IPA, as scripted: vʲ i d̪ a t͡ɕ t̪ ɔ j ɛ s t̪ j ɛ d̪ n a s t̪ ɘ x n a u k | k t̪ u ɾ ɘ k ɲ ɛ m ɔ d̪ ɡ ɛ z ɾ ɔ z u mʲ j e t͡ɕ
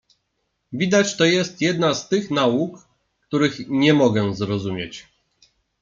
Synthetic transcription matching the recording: vʲ i d̪ a t͡ɕ t̪ ɔ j ɛ s t̪ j ɛ d̪ n a s t̪ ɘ x n a u k | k t̪ u ɾ ɘ x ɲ ɛ m ɔ ɡ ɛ z ɾ ɔ z u mʲ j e t͡ɕ

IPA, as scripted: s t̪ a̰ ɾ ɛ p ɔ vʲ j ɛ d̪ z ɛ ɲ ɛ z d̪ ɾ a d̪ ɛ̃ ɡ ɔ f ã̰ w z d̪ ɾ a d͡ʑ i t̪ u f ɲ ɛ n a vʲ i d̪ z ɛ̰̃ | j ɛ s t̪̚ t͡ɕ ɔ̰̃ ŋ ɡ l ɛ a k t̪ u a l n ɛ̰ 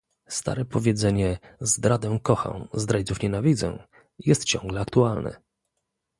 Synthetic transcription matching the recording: s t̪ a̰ ɾ ɛ p ɔ vʲ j ɛ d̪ z ɛ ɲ ɛ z d̪ ɾ a d̪ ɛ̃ k ɔ x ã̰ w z d̪ ɾ a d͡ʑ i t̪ u f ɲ ɛ n a vʲ i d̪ z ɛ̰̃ | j ɛ s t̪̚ t͡ɕ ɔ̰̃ ŋ ɡ l ɛ a k t̪ u a l n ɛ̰

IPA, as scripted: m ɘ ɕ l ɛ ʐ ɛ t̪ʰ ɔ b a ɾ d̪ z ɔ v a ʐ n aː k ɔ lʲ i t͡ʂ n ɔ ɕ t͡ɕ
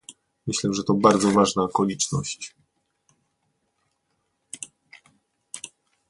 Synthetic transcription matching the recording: m ɘ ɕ l ɛ ʐ ɛ t̪ ɔ b a ɾ d̪ z ɔ v a ʐ n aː k ɔ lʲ i t͡ʂ n ɔ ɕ t͡ɕ

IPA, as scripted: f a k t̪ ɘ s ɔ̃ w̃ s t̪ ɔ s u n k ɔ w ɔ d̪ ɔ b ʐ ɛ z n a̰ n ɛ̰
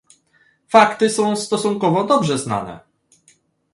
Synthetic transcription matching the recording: f a k t̪ ɘ s ɔ̃ w̃ s t̪ ɔ s u ŋ k ɔ v ɔ d̪ ɔ b ʐ ɛ z n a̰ n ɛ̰

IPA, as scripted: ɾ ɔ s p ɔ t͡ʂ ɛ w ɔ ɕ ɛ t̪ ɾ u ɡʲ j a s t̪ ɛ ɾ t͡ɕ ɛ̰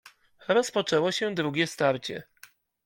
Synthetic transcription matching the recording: ɾ ɔ s p ɔ t͡ʂ ɛ w ɔ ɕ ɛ d̪ ɾ u ɡʲ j ɛ s t̪ a ɾ t͡ɕ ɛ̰

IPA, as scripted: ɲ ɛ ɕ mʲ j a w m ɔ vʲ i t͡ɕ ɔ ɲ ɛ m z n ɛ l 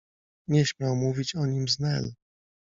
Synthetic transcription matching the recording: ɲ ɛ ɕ mʲ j a w m u vʲ i t͡ɕ ɔ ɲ i m z n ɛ l

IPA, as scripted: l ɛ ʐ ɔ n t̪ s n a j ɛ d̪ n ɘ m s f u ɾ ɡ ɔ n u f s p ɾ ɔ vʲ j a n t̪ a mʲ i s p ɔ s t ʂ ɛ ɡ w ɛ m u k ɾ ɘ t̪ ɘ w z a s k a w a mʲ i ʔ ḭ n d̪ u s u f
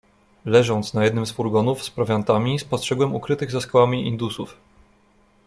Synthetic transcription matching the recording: l ɛ ʐ ɔ n t̪ s n a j ɛ d̪ n ɘ m s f u ɾ ɡ ɔ n u f s p ɾ ɔ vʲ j a n t̪ a mʲ i s p ɔ s t ʂ ɛ ɡ w ɛ m u k ɾ ɘ t̪ ɘ ɣ z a s k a w a mʲ i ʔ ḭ n d̪ u s u f

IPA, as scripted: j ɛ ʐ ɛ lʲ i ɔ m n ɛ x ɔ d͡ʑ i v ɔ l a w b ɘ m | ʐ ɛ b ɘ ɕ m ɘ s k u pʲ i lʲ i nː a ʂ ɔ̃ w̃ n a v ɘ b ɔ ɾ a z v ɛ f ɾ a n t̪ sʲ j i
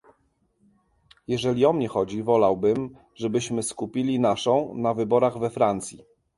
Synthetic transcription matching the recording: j ɛ ʐ ɛ lʲ i ɔ m ɲ ɛ x ɔ d͡ʑ i v ɔ l a w b ɘ m | ʐ ɛ b ɘ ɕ m ɘ s k u pʲ i lʲ i n a ʂ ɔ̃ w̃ n a v ɘ b ɔ ɾ a ɣ v ɛ f ɾ a n t̪ sʲ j i

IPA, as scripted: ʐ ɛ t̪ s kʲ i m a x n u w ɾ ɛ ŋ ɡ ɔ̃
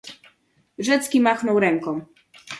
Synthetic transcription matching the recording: ʐ ɛ t̪ s kʲ i m a x n ɔ w ɾ ɛ ŋ k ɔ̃

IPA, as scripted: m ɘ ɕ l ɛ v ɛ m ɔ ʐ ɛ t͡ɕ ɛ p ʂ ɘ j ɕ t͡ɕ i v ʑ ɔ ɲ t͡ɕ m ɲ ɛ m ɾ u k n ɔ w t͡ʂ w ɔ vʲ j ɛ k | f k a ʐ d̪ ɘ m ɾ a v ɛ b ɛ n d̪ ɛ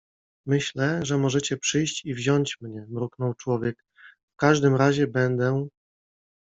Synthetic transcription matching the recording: m ɘ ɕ l ɛ ʐ ɛ m ɔ ʐ ɛ t͡ɕ ɛ p ʂ ɘ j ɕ t͡ɕ i v ʑ ɔ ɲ t͡ɕ m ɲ ɛ m ɾ u k n ɔ w t͡ʂ w ɔ vʲ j ɛ k | f k a ʐ d̪ ɘ m ɾ a ʑ ɛ b ɛ n d̪ ɛ

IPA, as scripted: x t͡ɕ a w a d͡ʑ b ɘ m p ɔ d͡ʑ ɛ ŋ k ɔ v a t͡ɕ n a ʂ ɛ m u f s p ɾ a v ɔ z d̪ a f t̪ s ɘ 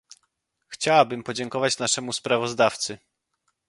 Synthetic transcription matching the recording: x t͡ɕ a w a b ɘ m p ɔ d͡ʑ ɛ ŋ k ɔ v a t͡ɕ n a ʂ ɛ m u s p ɾ a v ɔ z d̪ a f t̪ s ɘ

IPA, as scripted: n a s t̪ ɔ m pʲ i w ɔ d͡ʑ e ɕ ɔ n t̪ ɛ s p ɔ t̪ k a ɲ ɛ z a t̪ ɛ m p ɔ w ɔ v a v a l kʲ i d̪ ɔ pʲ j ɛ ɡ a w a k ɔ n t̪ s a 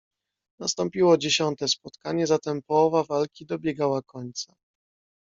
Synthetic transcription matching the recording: n a s t̪ ɔ m pʲ i w ɔ d͡ʑ e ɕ ɔ n t̪ ɛ s p ɔ t̪ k a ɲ ɛ z a t̪ ɛ m p ɔ w ɔ v a v a l kʲ i d̪ ɔ bʲ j ɛ ɡ a w a k ɔ ɲ t̪ s a

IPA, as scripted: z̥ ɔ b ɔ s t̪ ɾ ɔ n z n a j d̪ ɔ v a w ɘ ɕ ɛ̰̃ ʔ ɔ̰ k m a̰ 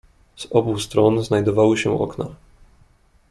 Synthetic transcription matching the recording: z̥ ɔ b u s t̪ ɾ ɔ n z n a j d̪ ɔ v a w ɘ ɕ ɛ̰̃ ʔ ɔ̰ k n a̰

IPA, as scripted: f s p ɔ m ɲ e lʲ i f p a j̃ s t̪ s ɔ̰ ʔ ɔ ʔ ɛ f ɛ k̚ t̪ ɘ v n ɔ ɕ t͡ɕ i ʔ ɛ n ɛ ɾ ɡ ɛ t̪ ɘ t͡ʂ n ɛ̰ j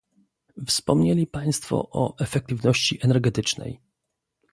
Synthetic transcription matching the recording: f s p ɔ m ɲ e lʲ i p a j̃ s t̪ f ɔ̰ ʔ ɔ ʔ ɛ f ɛ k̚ t̪ ɘ v n ɔ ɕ t͡ɕ i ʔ ɛ n ɛ ɾ ɡ ɛ t̪ ɘ t͡ʂ n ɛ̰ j

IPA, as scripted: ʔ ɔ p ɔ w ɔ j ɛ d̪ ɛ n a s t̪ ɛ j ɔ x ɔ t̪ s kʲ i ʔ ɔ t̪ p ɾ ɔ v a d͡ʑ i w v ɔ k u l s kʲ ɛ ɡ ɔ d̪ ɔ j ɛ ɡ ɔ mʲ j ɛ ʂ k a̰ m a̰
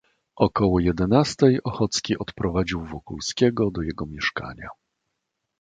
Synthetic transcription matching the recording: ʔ ɔ k ɔ w ɔ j ɛ d̪ ɛ n a s t̪ ɛ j ɔ x ɔ t̪ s kʲ i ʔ ɔ t̪ p ɾ ɔ v a d͡ʑ i w v ɔ k u l s kʲ ɛ ɡ ɔ d̪ ɔ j ɛ ɡ ɔ mʲ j ɛ ʂ k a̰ ɲ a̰

